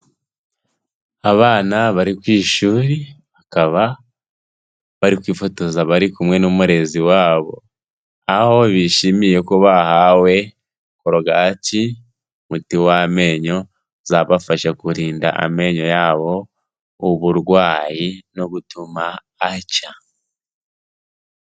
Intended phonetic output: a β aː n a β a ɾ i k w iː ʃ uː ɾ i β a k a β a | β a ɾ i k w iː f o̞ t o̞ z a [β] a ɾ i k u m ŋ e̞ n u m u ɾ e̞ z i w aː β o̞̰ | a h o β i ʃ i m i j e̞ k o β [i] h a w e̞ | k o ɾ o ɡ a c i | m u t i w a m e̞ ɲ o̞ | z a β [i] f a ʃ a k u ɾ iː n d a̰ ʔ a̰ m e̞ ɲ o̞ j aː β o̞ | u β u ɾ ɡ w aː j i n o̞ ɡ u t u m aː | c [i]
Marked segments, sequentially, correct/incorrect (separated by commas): correct, incorrect, incorrect, incorrect